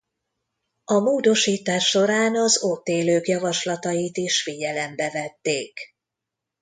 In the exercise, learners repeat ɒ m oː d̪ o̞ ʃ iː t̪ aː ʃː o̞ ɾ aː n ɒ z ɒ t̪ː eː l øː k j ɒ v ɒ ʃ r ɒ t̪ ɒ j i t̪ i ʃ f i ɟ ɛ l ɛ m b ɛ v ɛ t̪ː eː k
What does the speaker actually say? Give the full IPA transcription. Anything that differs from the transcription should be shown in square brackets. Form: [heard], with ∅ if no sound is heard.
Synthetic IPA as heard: ɒ m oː d̪ o̞ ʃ iː t̪ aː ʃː o̞ ɾ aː n ɒ z [o] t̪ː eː l øː k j ɒ v ɒ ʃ [l] ɒ t̪ ɒ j i t̪ i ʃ f i ɟ ɛ l ɛ m b ɛ v ɛ t̪ː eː k